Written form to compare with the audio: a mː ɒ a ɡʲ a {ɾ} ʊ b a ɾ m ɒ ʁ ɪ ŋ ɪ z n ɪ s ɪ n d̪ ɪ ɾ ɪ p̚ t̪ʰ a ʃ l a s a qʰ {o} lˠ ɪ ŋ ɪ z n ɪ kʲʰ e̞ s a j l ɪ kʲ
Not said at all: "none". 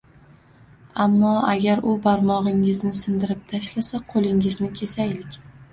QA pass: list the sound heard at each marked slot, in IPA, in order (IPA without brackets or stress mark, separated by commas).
ɾ, o